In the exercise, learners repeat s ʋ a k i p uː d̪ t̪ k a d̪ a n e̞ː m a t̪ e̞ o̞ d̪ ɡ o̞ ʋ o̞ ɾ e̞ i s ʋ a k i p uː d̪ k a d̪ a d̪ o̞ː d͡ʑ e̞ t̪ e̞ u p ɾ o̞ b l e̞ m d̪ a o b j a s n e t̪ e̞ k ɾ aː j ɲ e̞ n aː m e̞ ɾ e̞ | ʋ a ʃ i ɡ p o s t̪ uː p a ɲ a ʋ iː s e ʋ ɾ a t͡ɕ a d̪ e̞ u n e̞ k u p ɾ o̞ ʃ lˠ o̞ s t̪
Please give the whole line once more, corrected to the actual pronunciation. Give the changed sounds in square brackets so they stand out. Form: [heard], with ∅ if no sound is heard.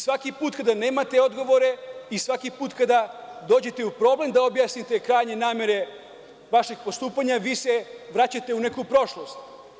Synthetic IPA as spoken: s ʋ a k i p uː [∅] t̪ k a d̪ a n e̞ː m a t̪ e̞ o̞ d̪ ɡ o̞ ʋ o̞ ɾ e̞ i s ʋ a k i p uː [t̪] k a d̪ a d̪ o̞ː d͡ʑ e̞ t̪ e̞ u p ɾ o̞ b l e̞ m d̪ a o b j a s n [i] t̪ e̞ k ɾ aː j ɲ e̞ n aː m e̞ ɾ e̞ | ʋ a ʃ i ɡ p o s t̪ uː p a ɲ a ʋ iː s e ʋ ɾ a t͡ɕ a [t̪] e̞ u n e̞ k u p ɾ o̞ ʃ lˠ o̞ s t̪